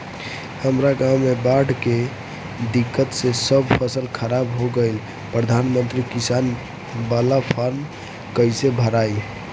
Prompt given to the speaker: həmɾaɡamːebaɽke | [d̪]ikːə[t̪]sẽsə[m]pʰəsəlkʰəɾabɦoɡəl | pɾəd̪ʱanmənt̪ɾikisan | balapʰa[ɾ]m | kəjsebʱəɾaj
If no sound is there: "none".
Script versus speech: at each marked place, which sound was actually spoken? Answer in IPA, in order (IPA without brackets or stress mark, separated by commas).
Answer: d̪, t̪, b, ɾ